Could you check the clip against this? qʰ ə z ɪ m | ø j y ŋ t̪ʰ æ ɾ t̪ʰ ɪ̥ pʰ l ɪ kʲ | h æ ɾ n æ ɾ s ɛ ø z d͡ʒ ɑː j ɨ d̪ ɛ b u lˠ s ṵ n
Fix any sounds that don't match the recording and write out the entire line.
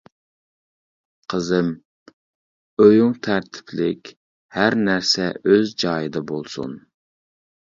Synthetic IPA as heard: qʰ ə z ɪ m | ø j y ŋ t̪ʰ æ ɾ t̪ʰ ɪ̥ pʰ l ɪ kʲ | h æ ɾ n æ ɾ s ɛ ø z d͡ʒ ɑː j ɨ d̪ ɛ b o lˠ s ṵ n